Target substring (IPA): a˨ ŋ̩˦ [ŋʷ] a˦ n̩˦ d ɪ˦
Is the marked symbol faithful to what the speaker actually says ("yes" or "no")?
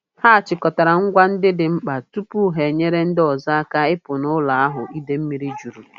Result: no